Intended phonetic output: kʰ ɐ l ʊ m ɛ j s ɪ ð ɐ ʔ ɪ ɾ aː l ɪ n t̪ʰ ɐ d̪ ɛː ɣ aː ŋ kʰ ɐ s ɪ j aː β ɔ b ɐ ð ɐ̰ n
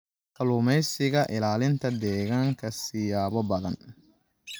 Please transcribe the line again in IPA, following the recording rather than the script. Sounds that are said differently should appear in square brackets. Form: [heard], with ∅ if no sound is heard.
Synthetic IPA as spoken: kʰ ɐ l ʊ m ɛ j s ɪ [ɣ] ɐ ʔ ɪ [l] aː l ɪ n t̪ʰ ɐ d̪ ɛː ɣ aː ŋ kʰ ɐ s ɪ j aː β ɔ b ɐ ð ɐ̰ n